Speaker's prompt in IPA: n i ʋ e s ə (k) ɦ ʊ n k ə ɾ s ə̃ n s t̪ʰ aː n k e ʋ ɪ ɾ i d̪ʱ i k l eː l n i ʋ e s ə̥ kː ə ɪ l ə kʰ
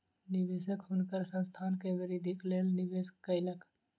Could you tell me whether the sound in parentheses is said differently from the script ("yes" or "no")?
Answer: no